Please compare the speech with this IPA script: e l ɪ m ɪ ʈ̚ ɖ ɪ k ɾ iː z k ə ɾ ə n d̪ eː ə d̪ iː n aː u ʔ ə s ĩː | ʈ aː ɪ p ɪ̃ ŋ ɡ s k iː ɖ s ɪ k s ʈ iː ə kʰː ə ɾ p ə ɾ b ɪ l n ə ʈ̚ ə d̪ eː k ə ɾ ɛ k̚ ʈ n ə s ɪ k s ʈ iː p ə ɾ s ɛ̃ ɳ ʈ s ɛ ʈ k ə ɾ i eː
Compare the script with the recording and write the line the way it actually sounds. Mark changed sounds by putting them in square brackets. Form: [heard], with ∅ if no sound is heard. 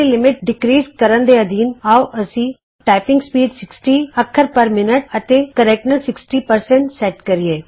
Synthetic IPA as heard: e l ɪ m ɪ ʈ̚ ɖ ɪ k ɾ iː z k ə ɾ ə n d̪ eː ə d̪ iː n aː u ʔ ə s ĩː | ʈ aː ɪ p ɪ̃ ŋ ɡ s [p] iː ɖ s ɪ k s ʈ iː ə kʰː ə ɾ p ə ɾ [m] ɪ [∅] n ə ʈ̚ ə [t̪] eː k ə ɾ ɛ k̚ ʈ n ə s ɪ k s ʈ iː p ə ɾ s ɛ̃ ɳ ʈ s ɛ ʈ k ə ɾ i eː